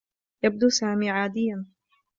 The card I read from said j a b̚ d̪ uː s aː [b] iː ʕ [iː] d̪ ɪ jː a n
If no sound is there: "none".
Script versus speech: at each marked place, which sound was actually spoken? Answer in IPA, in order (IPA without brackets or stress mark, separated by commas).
m, aː